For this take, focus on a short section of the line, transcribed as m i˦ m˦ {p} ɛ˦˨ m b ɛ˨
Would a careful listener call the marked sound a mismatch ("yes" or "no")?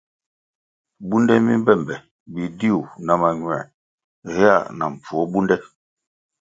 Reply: yes